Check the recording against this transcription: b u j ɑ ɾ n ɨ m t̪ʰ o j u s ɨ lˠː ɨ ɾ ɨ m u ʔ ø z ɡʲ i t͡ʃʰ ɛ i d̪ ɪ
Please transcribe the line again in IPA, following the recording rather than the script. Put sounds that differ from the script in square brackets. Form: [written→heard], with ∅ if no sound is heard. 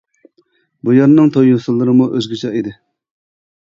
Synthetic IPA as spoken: b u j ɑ ɾ n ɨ [m→ŋ] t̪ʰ o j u s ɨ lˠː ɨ ɾ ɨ m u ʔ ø z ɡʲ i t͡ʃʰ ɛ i d̪ ɪ